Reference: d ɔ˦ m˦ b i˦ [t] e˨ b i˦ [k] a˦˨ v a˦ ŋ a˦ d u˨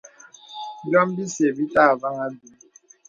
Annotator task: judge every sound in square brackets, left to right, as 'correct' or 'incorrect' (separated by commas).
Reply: incorrect, incorrect